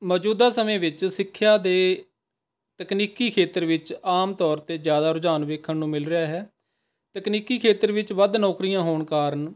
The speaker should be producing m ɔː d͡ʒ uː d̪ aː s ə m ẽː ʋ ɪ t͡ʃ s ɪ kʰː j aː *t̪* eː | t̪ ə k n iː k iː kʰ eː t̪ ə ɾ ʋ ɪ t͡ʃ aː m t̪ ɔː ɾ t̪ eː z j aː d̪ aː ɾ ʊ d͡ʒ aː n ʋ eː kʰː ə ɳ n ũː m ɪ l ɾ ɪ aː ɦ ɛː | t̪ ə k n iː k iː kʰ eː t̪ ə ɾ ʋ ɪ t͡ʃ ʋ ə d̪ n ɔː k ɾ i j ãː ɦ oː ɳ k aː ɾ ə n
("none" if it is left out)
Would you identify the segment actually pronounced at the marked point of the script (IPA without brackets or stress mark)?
d̪